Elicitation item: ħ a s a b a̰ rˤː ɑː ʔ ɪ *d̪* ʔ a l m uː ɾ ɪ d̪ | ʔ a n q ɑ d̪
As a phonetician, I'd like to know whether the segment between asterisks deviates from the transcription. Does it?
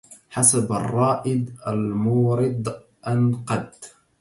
no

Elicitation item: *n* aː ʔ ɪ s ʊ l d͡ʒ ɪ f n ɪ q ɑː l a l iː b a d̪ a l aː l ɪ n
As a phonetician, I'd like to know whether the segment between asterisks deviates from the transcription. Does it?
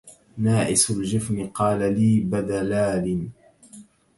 no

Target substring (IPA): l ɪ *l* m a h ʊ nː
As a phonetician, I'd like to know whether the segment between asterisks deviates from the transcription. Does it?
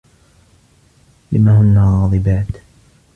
yes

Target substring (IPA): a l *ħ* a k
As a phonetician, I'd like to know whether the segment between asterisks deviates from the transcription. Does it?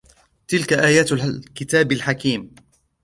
no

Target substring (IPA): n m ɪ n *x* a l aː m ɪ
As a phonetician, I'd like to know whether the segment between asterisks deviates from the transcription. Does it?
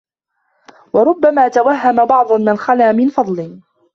no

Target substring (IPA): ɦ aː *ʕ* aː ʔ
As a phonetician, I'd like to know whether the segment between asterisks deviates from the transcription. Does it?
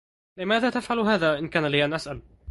yes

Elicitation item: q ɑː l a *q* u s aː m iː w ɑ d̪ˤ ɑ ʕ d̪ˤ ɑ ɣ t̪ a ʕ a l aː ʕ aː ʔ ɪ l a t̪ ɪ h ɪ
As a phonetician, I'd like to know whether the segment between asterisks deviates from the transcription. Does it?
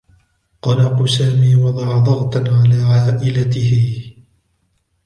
no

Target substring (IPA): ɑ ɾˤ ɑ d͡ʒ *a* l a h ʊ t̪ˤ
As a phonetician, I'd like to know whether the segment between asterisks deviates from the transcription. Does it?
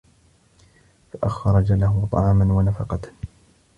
no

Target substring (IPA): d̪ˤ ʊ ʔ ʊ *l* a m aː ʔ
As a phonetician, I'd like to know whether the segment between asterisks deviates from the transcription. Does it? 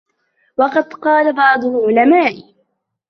no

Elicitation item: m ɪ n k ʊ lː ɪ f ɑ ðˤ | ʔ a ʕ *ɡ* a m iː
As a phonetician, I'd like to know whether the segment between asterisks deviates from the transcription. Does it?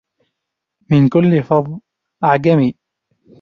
no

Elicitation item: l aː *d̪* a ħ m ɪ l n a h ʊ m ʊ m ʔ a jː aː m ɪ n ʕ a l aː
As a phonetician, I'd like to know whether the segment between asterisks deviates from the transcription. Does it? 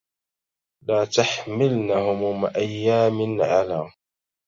yes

